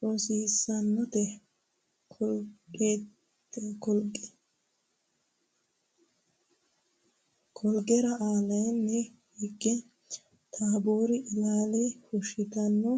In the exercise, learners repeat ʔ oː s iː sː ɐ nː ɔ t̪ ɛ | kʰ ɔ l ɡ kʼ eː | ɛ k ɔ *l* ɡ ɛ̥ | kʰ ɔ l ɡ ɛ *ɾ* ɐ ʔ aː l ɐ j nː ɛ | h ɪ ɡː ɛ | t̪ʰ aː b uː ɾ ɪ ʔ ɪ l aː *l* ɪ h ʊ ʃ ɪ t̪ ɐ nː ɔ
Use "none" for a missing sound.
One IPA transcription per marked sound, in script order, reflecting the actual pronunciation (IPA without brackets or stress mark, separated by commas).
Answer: l, ɾ, l